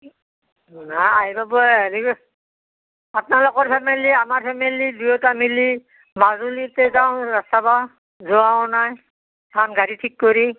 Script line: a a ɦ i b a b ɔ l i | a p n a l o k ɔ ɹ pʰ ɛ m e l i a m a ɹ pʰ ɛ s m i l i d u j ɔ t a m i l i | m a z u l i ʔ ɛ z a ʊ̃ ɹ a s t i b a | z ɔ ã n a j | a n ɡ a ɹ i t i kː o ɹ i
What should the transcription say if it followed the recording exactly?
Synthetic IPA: a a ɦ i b a b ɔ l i | a p n a l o k ɔ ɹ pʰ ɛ m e l i a m a ɹ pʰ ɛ m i l i d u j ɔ t a m i l i | m a z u l i t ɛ z a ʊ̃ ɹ a s t a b a | z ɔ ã n a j | a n ɡ a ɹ i tʰ i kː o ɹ i